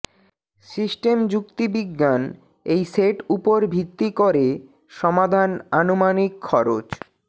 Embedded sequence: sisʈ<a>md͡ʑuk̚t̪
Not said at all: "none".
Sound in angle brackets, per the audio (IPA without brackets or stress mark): e